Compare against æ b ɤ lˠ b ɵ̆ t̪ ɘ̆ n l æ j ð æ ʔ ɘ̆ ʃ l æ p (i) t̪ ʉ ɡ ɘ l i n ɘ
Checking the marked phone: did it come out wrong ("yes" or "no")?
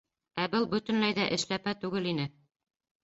yes